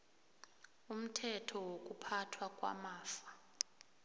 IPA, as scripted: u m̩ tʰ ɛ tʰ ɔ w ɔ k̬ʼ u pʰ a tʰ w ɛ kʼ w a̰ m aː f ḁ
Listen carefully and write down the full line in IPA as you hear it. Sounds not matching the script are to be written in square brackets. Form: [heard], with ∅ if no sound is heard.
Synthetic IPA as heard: u m̩ tʰ ɛ tʰ ɔ w [o] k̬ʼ u pʰ a tʰ w [a] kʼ w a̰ m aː f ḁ